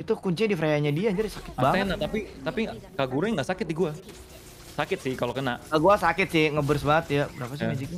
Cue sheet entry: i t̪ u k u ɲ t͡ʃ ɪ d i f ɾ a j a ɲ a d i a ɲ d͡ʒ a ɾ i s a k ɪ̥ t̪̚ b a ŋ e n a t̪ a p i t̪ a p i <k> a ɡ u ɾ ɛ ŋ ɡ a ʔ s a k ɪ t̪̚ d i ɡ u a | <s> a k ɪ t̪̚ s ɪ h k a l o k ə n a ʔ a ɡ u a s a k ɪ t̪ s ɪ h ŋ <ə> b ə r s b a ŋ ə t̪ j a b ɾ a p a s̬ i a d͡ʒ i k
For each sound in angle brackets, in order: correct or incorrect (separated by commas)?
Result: correct, correct, correct